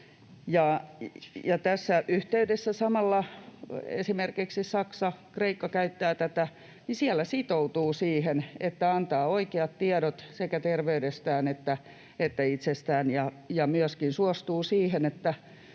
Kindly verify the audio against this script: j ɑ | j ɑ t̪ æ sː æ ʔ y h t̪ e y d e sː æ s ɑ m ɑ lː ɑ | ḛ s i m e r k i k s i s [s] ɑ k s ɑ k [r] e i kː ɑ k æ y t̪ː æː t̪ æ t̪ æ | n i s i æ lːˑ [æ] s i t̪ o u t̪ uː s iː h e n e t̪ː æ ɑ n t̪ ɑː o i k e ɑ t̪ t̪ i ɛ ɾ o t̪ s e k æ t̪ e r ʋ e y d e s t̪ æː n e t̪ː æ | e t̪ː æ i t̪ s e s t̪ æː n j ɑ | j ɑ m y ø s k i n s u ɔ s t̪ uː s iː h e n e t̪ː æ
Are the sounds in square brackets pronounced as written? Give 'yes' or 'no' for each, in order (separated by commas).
yes, yes, yes